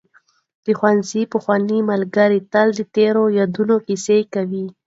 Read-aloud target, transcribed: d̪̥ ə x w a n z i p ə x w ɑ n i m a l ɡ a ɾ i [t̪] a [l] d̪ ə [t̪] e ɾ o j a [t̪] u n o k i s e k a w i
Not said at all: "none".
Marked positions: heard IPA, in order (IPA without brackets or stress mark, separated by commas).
t̪, l, t̪, d̪